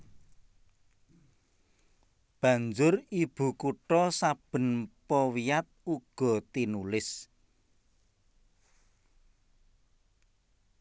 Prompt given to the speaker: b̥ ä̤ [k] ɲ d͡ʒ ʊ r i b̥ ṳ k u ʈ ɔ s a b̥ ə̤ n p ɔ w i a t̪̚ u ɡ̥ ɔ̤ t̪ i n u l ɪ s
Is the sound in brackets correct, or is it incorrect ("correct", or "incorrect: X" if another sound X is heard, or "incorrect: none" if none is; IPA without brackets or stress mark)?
incorrect: none